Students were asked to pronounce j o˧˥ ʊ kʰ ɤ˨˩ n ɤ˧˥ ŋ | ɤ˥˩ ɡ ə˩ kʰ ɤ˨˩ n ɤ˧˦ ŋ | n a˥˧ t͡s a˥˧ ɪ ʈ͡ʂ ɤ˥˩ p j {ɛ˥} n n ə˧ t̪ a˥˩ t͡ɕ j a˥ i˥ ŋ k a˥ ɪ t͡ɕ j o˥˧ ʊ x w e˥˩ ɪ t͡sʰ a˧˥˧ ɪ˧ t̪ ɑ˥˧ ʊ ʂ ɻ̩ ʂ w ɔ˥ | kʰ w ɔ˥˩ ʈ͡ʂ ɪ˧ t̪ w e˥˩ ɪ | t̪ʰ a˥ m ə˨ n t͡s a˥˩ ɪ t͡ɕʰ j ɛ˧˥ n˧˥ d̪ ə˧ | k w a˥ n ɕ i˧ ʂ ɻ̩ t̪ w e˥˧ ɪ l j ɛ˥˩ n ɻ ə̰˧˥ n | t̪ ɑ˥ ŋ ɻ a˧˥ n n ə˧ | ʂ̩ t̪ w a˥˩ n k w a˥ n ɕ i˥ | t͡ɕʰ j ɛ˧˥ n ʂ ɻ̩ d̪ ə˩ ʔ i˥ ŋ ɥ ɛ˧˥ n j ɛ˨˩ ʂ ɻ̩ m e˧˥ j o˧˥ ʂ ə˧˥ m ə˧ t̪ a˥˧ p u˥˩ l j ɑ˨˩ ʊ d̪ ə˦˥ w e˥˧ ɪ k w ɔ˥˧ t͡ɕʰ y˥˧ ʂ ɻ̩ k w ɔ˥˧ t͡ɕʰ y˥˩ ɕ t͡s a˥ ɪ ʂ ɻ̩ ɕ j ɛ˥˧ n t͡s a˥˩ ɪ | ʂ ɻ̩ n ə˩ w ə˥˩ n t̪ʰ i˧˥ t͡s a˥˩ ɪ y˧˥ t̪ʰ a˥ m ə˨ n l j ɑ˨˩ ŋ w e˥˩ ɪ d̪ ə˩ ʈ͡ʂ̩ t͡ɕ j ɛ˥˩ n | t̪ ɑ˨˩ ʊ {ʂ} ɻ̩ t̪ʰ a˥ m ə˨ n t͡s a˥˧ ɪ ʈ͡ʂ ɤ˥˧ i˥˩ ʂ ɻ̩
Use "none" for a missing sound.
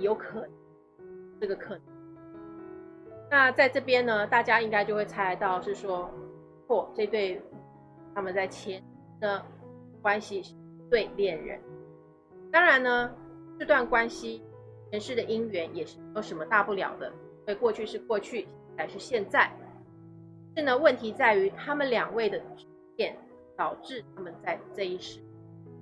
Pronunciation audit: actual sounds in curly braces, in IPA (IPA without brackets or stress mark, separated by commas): ɛ˥, ʈ͡ʂ